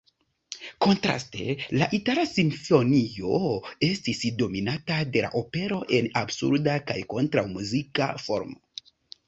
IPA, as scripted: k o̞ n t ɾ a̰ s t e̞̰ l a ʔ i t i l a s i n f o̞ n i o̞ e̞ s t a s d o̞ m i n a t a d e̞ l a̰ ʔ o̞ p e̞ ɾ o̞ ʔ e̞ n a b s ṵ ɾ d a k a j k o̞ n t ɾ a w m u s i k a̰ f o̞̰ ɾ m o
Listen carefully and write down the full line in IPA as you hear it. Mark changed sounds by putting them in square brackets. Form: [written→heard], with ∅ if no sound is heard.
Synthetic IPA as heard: k o̞ n t ɾ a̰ s t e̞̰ l a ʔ i t [i→a] l a s i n f o̞ n i o̞ e̞ s t [a→i] s d o̞ m i n a t a d e̞ l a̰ ʔ o̞ p e̞ ɾ o̞ ʔ e̞ n a b s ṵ ɾ d a k a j k o̞ n t ɾ a w m u [s→z] i k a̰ f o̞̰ ɾ m o